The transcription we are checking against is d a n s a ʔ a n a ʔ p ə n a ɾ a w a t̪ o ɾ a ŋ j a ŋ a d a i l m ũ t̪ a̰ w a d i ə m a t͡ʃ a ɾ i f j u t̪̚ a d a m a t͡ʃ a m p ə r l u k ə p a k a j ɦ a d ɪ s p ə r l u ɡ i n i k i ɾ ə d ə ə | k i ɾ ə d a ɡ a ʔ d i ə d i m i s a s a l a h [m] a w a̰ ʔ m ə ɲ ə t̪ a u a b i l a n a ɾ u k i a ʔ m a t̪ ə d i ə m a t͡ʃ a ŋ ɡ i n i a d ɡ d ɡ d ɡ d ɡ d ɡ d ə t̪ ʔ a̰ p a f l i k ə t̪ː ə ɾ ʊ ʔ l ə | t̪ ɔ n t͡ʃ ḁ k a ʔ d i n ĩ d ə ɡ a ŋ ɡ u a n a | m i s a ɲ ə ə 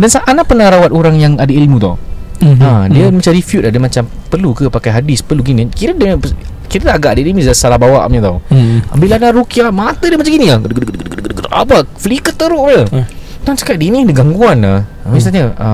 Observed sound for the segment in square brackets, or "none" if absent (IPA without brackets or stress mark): b